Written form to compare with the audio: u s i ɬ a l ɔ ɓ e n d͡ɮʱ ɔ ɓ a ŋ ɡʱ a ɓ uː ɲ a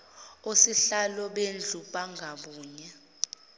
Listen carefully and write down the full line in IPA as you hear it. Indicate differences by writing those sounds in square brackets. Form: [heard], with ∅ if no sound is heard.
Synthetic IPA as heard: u s i ɬ a l ɔ ɓ e n d͡ɮʱ [u] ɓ a ŋ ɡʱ a ɓ uː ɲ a